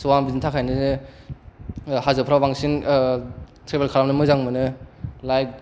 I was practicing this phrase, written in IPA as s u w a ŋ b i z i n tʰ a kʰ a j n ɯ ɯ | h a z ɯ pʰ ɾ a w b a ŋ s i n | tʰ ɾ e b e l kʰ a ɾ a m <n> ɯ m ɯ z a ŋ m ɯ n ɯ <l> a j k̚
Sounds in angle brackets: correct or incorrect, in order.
correct, correct

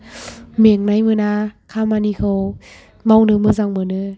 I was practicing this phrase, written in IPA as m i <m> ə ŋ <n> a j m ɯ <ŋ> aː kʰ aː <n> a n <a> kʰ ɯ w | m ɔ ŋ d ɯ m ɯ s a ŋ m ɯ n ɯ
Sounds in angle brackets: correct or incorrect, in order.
incorrect: none, correct, incorrect: n, incorrect: m, incorrect: i

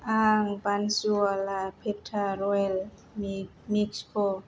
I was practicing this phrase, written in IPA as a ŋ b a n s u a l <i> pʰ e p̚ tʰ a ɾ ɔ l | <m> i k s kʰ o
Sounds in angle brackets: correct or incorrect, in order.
incorrect: a, correct

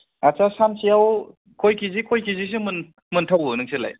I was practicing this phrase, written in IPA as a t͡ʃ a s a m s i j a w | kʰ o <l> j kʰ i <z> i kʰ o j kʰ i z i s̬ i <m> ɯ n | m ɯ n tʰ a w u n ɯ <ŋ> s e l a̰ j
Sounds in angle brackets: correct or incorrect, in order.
incorrect: none, correct, correct, correct

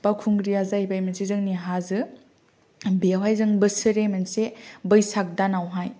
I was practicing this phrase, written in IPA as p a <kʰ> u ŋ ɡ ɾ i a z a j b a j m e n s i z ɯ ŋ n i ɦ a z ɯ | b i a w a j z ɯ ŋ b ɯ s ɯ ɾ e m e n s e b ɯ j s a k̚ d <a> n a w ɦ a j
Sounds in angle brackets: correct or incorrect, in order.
correct, correct

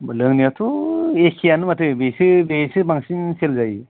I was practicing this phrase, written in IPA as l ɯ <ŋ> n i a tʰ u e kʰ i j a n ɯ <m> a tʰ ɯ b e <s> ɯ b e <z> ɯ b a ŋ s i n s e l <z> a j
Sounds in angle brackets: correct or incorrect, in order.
correct, correct, correct, incorrect: s, correct

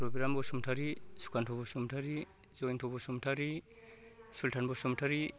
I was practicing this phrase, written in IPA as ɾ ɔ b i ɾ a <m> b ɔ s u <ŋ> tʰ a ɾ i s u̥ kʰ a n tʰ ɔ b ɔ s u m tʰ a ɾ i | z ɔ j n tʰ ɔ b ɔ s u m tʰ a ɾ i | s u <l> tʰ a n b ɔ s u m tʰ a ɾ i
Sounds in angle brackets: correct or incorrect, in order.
correct, incorrect: m, correct

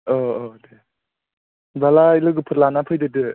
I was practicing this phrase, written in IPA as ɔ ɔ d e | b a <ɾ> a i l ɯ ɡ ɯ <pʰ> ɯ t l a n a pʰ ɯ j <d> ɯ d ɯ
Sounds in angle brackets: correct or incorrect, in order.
incorrect: l, correct, correct

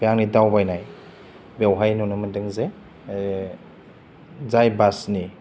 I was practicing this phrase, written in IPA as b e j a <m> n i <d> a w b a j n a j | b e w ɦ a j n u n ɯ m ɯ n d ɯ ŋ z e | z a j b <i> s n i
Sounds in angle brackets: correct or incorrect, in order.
incorrect: ŋ, correct, incorrect: a

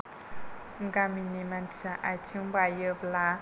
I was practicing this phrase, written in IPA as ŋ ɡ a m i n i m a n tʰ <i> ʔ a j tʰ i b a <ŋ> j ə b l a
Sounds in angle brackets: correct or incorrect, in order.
incorrect: a, incorrect: none

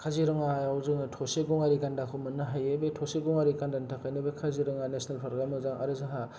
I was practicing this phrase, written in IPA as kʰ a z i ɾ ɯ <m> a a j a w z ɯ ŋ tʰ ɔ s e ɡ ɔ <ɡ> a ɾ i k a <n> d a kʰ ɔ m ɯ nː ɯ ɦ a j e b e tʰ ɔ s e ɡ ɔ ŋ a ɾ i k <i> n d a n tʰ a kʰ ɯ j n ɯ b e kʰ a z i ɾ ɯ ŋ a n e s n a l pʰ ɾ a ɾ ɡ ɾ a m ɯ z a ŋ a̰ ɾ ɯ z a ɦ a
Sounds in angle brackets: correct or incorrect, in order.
incorrect: ŋ, incorrect: ŋ, correct, incorrect: a

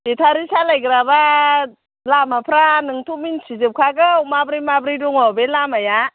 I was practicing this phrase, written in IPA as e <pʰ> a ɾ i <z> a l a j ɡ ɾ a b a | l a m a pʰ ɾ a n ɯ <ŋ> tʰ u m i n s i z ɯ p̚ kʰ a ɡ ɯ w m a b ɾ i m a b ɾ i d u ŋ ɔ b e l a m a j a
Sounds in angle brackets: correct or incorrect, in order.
incorrect: tʰ, incorrect: s, correct

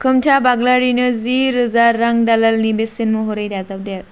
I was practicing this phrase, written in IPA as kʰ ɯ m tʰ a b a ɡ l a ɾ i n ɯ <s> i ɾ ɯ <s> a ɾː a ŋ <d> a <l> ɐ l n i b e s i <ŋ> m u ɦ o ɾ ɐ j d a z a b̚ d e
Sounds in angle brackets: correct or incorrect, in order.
incorrect: z, incorrect: z, correct, correct, incorrect: n

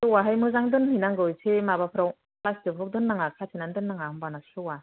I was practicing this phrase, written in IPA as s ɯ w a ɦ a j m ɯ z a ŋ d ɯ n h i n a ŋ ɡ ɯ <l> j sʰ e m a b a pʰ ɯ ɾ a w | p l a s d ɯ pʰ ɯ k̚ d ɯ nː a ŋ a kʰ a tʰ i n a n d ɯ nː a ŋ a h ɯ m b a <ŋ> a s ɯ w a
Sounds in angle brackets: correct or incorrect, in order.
incorrect: none, incorrect: n

